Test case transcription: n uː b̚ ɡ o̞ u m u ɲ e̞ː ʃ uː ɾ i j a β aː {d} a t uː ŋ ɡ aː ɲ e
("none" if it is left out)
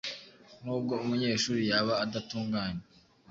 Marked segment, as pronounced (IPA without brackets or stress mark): d